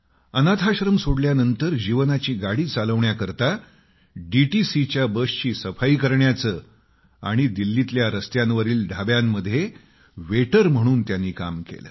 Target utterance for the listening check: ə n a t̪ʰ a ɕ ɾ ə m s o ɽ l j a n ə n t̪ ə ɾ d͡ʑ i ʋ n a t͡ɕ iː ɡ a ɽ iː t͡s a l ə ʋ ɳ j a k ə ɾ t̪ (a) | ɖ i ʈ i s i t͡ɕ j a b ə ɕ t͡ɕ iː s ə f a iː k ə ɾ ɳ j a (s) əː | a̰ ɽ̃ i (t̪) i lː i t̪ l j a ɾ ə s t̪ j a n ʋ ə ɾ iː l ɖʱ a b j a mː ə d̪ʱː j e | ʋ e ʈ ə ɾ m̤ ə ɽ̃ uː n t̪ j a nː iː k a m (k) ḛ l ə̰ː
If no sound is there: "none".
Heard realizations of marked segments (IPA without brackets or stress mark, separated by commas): a, t͡s, d̪, k